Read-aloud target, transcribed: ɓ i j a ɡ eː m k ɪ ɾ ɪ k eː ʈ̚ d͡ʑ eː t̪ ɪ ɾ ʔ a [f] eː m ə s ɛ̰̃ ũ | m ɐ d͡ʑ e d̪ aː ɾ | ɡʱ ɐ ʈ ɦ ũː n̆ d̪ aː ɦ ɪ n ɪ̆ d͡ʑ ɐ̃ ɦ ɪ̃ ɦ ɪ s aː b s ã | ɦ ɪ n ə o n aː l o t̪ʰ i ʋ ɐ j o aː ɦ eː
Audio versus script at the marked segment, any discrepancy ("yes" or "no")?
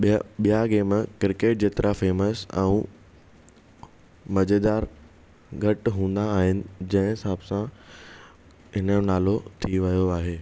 no